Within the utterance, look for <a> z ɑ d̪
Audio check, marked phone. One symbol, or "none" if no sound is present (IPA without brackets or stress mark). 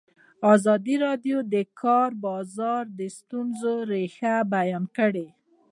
ɑ